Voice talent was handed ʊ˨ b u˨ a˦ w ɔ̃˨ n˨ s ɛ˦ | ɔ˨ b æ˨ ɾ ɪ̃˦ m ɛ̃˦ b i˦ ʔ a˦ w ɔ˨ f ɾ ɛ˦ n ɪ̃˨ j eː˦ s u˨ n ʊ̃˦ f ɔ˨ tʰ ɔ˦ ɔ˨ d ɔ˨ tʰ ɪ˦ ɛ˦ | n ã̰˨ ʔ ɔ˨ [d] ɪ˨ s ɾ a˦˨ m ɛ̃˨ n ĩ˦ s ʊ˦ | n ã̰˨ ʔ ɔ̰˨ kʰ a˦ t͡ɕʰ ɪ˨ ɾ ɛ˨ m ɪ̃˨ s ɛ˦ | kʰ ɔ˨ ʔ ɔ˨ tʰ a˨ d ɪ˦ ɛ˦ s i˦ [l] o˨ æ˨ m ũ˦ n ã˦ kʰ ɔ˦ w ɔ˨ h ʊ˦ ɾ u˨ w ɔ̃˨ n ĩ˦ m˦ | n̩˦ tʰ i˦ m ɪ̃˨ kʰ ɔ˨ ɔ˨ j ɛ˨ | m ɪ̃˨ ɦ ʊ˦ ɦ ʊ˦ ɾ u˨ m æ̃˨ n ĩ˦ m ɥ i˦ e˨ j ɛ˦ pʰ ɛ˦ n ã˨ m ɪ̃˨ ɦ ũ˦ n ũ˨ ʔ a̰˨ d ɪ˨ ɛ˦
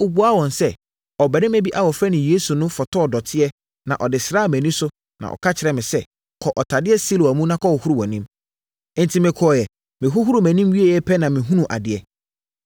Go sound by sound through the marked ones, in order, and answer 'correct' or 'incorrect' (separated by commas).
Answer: correct, correct